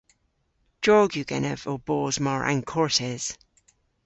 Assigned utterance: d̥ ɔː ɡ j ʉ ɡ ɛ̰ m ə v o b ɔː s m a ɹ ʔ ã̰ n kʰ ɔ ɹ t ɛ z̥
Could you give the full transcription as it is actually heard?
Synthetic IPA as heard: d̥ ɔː ɡ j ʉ ɡ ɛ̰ n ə v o b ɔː z m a ɹ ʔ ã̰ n kʰ ɔ ɹ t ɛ z̥